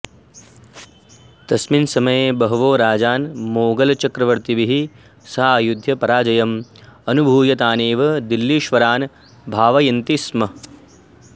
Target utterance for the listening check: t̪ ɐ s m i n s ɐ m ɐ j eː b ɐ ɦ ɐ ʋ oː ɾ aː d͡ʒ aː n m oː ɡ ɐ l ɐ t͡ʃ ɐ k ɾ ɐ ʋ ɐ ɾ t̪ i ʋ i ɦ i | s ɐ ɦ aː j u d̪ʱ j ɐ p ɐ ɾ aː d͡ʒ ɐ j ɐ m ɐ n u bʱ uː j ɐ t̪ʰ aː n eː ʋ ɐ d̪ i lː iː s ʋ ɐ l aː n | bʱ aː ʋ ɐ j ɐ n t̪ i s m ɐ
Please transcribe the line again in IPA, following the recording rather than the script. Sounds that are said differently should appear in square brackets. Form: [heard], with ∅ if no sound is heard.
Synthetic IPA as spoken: t̪ ɐ s m i n s ɐ m ɐ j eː b ɐ ɦ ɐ ʋ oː ɾ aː d͡ʒ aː n m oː ɡ ɐ l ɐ t͡ʃ ɐ k ɾ ɐ ʋ ɐ ɾ t̪ i ʋ i ɦ i | s ɐ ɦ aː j u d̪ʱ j ɐ p ɐ ɾ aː d͡ʒ ɐ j ɐ m ɐ n u bʱ uː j ɐ [t̪] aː n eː ʋ ɐ d̪ i lː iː [ʃ] ʋ ɐ [ɾ] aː n | bʱ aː ʋ ɐ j ɐ n t̪ i s m ɐ

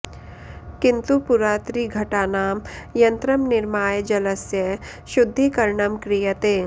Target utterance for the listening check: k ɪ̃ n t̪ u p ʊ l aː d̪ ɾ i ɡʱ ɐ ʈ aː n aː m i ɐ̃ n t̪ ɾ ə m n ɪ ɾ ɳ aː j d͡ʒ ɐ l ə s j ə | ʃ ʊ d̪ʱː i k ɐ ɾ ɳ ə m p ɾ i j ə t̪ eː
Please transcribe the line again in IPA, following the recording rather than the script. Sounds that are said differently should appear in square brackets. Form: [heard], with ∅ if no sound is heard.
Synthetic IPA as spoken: k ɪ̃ n t̪ u p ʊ [ɾ] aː [t̪] ɾ i ɡʱ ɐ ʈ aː n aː m [j] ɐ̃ n t̪ ɾ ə m n ɪ ɾ [m] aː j d͡ʒ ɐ l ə s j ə | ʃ ʊ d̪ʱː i k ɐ ɾ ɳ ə m [k] ɾ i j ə t̪ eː

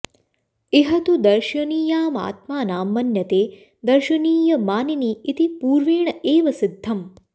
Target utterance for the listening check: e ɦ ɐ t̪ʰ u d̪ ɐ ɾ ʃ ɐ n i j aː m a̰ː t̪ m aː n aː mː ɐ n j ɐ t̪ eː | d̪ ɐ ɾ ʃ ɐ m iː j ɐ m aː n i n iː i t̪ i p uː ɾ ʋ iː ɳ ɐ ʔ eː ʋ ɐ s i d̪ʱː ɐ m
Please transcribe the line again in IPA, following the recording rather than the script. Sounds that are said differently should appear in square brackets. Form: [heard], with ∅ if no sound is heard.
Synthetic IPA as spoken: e ɦ ɐ [t̪] u d̪ ɐ ɾ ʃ ɐ n [iː] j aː m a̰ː t̪ m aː n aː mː ɐ n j ɐ t̪ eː | d̪ ɐ ɾ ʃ ɐ [n] iː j ɐ m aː n i n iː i t̪ i p uː ɾ ʋ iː ɳ ɐ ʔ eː ʋ ɐ s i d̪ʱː ɐ m

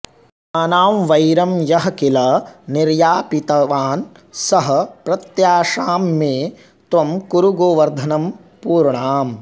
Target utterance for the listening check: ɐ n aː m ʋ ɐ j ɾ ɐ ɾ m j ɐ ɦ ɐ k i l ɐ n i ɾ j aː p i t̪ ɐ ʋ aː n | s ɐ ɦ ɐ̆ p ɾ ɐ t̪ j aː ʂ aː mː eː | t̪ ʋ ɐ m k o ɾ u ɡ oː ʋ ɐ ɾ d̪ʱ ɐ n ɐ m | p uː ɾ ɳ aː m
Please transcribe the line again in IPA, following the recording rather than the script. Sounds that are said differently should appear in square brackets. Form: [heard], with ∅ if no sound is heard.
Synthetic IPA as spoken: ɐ n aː m ʋ ɐ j ɾ ɐ [∅] m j ɐ ɦ ɐ k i l ɐ n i ɾ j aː p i t̪ ɐ ʋ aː n | s ɐ ɦ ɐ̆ p ɾ ɐ t̪ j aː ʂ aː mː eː | t̪ ʋ ɐ m k [u] ɾ u ɡ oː ʋ ɐ ɾ d̪ʱ ɐ n ɐ m | p uː ɾ ɳ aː m

